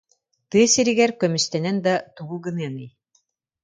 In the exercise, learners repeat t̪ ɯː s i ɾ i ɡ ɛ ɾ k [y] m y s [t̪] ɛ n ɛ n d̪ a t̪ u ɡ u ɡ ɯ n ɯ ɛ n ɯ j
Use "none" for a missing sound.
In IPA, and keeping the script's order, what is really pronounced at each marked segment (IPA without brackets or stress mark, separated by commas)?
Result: œ, t̪